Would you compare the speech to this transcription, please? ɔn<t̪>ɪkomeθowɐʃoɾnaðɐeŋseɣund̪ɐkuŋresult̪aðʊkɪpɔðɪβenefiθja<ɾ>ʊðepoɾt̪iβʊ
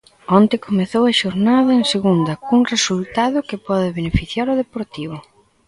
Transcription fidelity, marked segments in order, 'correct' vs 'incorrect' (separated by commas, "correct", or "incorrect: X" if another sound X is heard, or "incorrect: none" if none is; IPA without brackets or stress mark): correct, correct